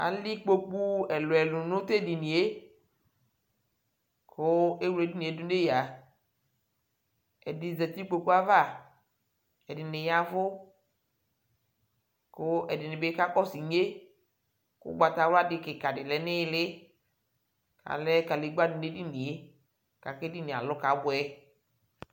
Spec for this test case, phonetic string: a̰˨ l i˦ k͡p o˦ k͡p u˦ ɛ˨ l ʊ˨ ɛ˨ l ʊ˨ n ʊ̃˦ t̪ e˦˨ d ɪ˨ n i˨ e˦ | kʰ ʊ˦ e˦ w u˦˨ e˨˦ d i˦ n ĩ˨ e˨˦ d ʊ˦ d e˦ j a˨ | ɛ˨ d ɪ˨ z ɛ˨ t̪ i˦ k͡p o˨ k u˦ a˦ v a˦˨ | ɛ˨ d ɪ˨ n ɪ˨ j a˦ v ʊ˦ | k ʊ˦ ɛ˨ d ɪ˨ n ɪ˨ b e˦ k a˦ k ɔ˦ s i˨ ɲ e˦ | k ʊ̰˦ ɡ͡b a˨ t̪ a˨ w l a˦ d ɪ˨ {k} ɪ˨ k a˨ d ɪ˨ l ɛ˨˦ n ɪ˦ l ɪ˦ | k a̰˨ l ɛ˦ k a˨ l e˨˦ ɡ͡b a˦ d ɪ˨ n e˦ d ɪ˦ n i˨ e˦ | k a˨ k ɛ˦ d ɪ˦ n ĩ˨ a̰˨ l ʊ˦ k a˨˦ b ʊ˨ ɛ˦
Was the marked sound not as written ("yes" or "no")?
no